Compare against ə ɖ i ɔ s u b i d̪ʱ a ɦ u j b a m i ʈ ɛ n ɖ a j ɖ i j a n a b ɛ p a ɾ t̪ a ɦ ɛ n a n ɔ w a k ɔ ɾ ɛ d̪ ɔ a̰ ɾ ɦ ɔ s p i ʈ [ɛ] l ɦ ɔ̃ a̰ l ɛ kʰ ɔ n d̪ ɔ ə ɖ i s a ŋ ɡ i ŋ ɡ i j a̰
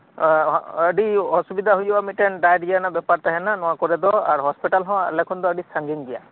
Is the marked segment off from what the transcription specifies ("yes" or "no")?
yes